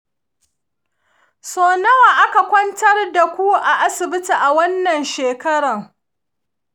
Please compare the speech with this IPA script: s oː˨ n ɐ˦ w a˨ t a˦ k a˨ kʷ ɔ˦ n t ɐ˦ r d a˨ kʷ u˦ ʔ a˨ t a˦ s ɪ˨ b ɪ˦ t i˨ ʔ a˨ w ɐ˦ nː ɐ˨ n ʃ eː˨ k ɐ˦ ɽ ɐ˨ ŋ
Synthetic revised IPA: s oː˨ n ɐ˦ w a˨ ʔ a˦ k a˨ kʷ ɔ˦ n t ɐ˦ r d a˨ kʷ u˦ ʔ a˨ ʔ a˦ s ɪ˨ b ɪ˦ t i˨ ʔ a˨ w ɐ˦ nː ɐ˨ n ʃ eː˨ k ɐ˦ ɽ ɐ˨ ŋ